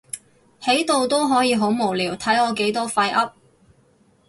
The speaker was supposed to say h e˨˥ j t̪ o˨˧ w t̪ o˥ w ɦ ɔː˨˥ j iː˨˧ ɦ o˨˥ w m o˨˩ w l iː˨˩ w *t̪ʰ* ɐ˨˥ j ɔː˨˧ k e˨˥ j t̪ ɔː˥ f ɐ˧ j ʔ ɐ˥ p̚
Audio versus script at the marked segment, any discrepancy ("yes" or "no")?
no